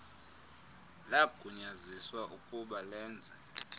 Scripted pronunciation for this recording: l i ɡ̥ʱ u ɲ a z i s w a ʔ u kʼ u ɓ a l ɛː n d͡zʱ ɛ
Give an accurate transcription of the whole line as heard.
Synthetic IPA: l a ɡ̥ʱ u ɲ a z i s w a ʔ u kʼ u ɓ a l ɛː n d͡zʱ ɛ